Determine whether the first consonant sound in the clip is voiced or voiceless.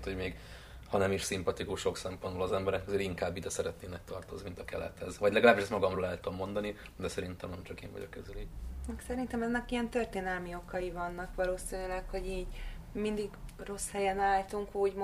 voiceless